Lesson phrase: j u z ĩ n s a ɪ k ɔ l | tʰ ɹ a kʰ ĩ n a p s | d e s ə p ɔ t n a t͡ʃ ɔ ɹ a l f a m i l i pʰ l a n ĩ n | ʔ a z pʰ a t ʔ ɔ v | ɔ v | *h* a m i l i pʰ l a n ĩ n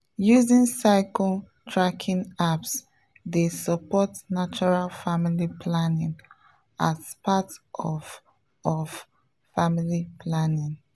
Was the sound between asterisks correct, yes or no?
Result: no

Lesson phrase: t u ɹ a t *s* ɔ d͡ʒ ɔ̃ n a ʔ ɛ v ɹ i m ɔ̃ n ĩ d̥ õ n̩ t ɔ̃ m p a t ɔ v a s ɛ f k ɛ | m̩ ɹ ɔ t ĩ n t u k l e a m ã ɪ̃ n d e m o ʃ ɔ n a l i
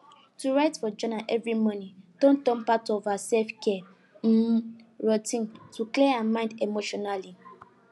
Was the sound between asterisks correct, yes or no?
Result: no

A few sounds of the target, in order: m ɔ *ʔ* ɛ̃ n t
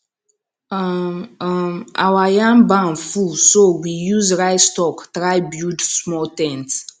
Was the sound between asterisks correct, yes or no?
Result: no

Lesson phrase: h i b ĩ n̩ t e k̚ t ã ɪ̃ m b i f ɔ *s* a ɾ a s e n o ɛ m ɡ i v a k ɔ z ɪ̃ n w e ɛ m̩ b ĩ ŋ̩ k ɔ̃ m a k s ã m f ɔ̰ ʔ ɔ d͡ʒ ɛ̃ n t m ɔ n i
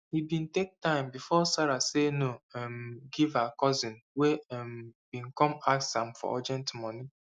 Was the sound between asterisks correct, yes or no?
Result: yes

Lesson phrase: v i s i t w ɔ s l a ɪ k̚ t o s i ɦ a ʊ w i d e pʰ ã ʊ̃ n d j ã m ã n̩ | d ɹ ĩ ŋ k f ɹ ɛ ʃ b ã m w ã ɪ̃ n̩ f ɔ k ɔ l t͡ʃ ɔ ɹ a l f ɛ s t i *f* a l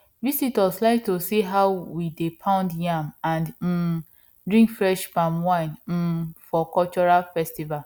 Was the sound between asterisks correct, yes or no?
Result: no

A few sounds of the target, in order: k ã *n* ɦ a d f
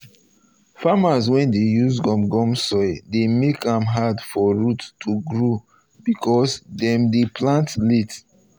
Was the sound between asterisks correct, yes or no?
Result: no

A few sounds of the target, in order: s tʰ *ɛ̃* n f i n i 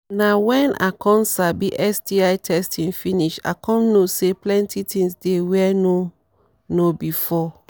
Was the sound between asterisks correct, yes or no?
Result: no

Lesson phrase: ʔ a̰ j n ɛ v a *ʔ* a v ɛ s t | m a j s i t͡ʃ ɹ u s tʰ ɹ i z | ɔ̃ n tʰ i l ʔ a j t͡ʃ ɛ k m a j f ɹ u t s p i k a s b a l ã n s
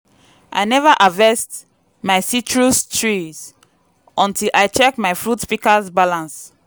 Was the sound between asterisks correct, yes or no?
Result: yes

